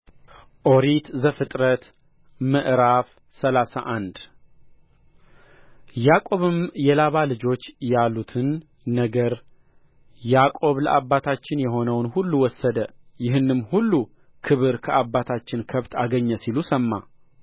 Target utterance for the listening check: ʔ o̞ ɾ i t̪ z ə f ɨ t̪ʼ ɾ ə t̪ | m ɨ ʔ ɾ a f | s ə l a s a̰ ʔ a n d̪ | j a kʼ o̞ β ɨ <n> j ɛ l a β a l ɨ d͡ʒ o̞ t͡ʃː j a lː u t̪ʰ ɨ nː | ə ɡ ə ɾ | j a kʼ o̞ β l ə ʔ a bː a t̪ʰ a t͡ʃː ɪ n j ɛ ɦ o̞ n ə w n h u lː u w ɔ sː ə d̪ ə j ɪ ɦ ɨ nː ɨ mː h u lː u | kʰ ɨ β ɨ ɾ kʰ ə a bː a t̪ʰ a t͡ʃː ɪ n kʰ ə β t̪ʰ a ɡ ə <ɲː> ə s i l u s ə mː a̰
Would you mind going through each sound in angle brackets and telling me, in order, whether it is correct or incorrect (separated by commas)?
incorrect, correct